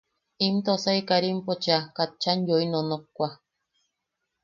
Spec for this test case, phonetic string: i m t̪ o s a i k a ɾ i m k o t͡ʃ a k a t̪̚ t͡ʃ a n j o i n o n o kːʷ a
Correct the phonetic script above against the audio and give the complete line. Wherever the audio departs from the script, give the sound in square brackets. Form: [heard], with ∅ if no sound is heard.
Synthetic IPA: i m t̪ o s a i k a ɾ i m [p] o t͡ʃ a k a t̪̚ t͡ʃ a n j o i n o n o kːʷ a